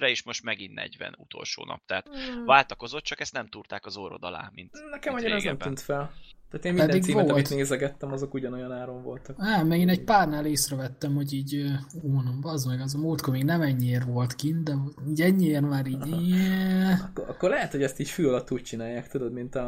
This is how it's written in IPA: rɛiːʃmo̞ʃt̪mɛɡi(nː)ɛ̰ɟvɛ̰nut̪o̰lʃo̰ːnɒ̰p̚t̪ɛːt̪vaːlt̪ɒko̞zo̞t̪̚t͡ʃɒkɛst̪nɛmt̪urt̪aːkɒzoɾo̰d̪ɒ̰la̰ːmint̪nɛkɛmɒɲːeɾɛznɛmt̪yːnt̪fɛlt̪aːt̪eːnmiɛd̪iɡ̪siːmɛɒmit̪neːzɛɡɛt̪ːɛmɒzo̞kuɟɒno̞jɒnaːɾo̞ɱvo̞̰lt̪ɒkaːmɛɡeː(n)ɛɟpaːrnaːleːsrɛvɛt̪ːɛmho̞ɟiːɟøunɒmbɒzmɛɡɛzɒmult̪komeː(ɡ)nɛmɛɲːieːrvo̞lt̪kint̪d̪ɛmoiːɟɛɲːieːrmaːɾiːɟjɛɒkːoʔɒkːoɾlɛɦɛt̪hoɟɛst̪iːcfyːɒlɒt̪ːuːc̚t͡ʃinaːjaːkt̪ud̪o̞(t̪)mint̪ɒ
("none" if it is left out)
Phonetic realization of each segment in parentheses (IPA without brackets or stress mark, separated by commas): nː, n, ɡ, d̪